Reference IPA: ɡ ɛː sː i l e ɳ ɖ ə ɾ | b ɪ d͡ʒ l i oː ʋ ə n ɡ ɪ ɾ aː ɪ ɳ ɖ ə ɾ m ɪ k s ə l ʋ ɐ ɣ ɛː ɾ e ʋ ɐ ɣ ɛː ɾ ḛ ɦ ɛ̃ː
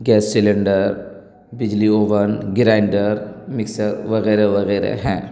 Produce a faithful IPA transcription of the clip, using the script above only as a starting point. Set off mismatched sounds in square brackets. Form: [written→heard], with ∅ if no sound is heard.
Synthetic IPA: ɡ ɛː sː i l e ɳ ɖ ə ɾ | b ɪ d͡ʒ l i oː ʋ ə n ɡ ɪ ɾ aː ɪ ɳ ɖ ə ɾ m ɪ k s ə [l→ɾ] ʋ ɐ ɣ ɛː ɾ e ʋ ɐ ɣ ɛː ɾ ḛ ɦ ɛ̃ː